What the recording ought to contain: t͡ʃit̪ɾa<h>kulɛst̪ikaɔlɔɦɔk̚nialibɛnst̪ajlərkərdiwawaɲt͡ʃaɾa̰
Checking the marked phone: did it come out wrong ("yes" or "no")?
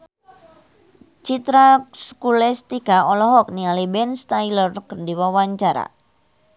yes